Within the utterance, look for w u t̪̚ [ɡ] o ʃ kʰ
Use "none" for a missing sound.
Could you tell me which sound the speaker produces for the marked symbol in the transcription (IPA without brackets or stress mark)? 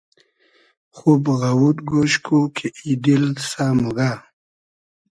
ɡ